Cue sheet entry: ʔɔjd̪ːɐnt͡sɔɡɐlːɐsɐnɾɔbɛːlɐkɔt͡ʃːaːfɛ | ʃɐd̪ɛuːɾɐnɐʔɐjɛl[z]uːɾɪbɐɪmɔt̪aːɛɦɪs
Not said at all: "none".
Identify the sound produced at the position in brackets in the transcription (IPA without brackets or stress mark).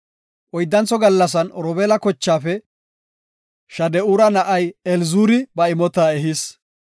z